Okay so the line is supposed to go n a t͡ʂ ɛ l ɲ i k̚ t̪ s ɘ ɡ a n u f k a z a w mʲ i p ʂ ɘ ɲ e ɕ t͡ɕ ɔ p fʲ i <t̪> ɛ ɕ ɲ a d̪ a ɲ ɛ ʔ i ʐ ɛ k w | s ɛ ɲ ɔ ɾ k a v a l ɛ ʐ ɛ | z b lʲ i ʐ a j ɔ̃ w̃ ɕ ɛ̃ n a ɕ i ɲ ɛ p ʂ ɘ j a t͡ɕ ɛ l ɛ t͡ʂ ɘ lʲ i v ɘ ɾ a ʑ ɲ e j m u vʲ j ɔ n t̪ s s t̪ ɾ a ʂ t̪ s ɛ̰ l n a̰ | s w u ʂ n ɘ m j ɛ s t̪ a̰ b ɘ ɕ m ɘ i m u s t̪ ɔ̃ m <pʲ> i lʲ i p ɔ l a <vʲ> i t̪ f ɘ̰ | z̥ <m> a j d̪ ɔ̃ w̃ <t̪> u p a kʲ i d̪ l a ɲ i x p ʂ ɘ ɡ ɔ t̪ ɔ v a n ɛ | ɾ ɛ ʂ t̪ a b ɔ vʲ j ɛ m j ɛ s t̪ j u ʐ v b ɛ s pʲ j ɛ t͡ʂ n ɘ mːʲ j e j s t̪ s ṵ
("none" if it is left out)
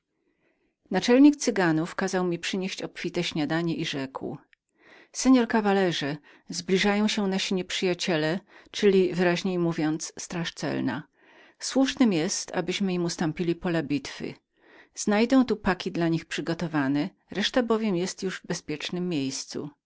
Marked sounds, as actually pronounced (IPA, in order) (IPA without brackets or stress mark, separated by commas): t̪, pʲ, bʲ, n, t̪